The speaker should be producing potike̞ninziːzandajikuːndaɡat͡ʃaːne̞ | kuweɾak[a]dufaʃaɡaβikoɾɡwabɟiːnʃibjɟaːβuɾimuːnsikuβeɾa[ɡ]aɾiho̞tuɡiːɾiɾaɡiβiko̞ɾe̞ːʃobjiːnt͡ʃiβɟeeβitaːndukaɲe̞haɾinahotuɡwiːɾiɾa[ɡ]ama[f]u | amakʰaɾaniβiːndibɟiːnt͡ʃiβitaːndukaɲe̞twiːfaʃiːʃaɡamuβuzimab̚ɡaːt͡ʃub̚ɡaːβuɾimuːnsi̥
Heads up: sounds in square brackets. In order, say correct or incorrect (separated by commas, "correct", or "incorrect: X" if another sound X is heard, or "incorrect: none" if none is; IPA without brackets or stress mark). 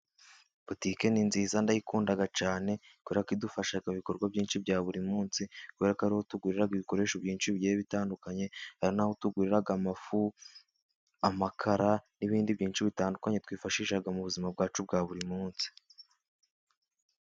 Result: incorrect: i, incorrect: k, correct, correct